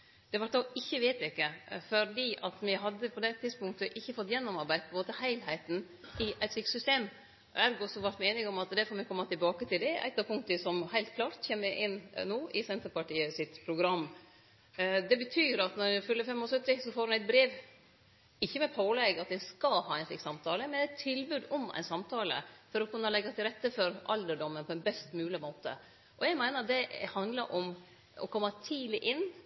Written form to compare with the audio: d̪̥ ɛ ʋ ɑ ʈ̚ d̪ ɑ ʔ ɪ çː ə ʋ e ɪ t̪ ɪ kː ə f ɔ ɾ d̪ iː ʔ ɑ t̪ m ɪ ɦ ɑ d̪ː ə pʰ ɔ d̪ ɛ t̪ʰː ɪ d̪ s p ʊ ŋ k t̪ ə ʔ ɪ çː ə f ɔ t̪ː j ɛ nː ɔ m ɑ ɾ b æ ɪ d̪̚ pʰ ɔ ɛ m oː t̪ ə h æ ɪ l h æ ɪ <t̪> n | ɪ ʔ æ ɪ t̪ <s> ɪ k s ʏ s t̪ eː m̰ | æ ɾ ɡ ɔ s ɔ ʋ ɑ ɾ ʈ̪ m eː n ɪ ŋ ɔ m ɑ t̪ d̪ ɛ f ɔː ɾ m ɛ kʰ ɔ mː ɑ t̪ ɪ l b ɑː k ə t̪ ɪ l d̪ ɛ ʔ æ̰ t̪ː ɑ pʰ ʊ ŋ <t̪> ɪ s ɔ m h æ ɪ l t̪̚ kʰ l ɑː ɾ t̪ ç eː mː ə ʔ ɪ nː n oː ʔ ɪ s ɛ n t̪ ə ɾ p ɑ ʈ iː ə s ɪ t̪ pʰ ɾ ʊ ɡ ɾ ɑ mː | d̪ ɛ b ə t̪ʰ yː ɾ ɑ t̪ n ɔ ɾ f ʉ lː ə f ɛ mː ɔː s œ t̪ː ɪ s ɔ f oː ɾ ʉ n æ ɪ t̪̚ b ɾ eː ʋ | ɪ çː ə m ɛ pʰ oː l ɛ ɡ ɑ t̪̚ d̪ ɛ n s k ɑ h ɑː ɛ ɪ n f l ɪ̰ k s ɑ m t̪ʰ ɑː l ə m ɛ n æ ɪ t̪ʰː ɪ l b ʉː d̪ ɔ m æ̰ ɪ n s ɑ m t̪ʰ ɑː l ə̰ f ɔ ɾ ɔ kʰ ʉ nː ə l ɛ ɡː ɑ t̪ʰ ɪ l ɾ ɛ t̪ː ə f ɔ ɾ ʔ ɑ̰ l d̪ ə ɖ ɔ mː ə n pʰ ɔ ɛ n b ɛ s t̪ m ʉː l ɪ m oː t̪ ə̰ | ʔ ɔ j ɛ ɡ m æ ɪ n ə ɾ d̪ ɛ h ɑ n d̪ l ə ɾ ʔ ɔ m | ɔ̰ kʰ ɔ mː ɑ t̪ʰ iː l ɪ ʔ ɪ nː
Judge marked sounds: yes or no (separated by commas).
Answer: yes, yes, yes